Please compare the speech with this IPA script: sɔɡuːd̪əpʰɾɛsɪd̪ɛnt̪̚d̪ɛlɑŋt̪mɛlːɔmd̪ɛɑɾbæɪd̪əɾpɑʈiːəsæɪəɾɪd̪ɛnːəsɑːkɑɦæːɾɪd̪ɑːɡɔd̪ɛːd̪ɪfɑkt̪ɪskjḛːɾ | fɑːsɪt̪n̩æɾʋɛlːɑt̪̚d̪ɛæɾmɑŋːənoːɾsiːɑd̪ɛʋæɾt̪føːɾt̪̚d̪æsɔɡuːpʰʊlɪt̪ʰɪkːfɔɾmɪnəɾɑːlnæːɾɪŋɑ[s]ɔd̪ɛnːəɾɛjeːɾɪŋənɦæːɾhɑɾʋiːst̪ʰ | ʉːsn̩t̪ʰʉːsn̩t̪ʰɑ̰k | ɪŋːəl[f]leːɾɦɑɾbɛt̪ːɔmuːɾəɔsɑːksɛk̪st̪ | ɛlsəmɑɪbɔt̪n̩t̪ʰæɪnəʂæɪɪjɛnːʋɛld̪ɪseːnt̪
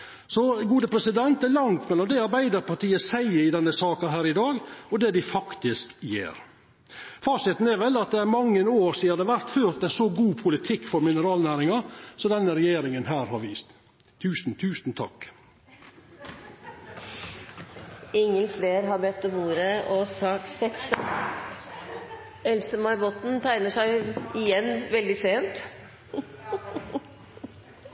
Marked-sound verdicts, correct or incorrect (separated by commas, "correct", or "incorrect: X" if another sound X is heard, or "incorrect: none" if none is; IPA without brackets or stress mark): correct, correct